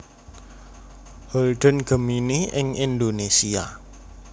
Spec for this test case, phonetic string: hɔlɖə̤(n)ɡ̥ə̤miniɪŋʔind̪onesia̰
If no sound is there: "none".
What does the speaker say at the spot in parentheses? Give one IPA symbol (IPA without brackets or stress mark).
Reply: n